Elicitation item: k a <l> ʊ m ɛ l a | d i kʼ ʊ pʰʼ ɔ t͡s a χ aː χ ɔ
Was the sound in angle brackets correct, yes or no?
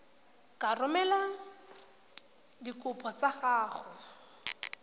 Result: no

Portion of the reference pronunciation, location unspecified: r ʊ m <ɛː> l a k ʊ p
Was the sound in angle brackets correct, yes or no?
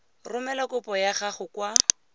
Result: no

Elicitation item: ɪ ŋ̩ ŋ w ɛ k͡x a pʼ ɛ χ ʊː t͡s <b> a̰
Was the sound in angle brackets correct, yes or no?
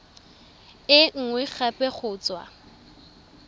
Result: no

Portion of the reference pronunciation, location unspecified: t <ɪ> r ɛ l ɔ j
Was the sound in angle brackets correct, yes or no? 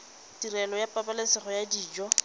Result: no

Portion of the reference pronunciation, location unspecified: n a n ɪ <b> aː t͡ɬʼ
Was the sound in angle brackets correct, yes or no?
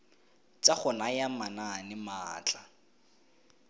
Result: no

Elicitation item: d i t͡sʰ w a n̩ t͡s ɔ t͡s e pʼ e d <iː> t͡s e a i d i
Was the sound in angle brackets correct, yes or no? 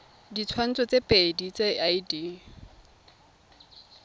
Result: no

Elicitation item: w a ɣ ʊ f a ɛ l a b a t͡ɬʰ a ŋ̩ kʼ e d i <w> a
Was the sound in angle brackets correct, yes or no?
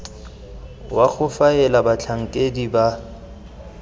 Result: no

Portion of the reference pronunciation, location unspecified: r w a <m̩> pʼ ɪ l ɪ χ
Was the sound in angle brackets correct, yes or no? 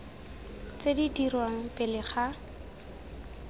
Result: no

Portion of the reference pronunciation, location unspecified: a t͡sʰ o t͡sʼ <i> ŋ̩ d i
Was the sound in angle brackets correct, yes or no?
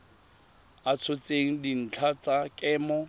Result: no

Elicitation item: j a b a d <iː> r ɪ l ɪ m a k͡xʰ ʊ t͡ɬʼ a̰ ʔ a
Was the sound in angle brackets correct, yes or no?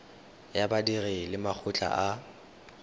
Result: no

